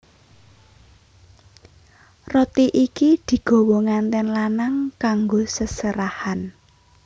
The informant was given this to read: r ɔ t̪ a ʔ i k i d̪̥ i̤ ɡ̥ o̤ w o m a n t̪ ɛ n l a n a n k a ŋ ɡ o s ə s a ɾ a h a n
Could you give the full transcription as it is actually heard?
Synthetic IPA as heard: r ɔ t̪ i ʔ i k i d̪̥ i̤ ɡ̥ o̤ w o ŋ a n t̪ ɛ n l a n a ŋ k a ŋ ɡ o s ə s ə ɾ a h a n